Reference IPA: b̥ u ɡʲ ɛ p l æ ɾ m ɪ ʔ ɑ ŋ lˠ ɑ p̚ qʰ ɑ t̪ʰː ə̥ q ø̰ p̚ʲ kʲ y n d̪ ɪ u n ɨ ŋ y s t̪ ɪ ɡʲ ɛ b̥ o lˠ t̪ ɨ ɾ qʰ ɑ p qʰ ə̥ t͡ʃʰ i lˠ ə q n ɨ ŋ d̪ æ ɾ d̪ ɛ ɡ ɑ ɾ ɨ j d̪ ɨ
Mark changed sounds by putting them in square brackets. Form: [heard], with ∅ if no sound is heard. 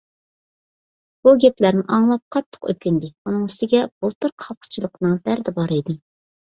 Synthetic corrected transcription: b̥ u ɡʲ ɛ p l æ ɾ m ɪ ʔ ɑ ŋ lˠ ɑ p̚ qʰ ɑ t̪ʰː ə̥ q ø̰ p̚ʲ kʲ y n d̪ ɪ u n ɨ ŋ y s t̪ ɪ ɡʲ ɛ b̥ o lˠ t̪ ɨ ɾ qʰ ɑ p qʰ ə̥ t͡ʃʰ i lˠ ə q n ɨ ŋ d̪ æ ɾ d̪ ɛ [b] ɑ ɾ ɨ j d̪ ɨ